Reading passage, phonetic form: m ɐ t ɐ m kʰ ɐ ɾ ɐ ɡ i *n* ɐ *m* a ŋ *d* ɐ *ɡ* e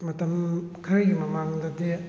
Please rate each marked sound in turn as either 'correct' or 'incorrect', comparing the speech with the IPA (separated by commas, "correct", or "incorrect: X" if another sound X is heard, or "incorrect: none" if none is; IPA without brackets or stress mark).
incorrect: m, correct, correct, incorrect: d